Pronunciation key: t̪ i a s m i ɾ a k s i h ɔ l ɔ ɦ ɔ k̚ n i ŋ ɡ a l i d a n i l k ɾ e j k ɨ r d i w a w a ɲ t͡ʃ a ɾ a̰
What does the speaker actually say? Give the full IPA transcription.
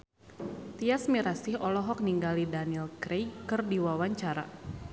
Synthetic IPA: t̪ i a s m i ɾ a s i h ɔ l ɔ ɦ ɔ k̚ n i ŋ ɡ a l i d a n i l k ɾ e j k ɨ r d i w a w a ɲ t͡ʃ a ɾ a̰